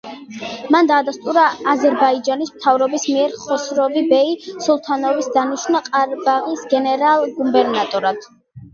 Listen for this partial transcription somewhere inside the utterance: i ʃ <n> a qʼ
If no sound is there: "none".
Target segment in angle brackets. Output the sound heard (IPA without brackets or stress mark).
n